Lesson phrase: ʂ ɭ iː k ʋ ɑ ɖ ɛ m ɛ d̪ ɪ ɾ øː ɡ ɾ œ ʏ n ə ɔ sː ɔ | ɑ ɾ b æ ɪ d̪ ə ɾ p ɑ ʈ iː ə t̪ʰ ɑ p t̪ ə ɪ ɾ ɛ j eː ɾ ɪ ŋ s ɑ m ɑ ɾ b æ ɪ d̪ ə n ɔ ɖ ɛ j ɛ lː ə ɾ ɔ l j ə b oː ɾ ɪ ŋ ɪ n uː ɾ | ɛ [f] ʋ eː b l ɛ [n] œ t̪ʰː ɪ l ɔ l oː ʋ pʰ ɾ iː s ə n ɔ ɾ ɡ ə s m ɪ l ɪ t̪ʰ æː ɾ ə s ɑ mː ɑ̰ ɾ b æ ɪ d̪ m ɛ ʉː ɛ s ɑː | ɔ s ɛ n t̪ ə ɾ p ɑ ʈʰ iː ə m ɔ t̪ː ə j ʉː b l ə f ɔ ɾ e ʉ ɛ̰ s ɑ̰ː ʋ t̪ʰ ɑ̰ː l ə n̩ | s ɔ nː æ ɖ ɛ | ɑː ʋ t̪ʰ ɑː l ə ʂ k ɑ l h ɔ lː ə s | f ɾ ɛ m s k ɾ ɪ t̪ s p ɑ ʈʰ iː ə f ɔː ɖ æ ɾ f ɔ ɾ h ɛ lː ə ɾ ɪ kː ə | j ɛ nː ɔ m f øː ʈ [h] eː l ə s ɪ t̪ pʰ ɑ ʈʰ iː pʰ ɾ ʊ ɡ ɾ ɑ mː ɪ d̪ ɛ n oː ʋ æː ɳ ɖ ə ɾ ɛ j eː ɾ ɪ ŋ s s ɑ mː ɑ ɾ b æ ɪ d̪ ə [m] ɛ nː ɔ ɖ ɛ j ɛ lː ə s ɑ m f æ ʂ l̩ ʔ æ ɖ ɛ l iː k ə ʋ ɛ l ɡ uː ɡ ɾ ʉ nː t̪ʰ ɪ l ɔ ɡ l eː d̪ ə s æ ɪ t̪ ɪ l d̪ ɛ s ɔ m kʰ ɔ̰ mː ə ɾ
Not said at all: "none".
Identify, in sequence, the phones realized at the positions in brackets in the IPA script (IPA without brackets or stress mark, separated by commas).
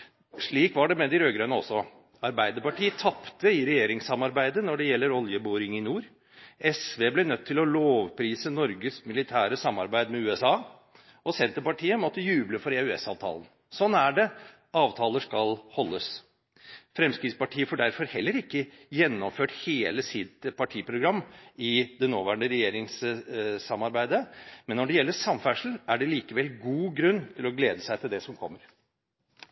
s, n, h, m